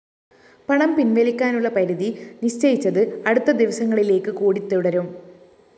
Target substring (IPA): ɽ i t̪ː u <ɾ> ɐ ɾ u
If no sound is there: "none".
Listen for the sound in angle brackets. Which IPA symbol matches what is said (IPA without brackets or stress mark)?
ɽ